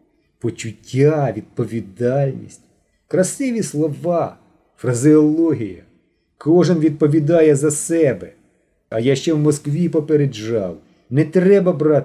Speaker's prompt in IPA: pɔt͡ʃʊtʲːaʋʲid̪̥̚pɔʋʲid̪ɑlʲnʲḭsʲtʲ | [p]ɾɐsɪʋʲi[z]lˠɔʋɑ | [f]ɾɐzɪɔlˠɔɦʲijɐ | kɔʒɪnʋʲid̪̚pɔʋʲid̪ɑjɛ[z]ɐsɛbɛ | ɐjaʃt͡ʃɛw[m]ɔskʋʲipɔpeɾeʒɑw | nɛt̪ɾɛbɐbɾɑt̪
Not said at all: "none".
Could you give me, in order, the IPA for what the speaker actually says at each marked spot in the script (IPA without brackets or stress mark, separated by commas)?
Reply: k, s, f, z, m